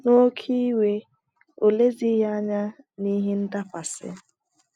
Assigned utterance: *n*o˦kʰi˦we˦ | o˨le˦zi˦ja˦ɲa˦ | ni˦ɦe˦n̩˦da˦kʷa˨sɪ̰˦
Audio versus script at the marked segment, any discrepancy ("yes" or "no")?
no